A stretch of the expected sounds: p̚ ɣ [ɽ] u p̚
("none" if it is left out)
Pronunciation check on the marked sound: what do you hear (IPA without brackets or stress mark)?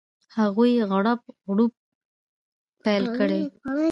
ɽ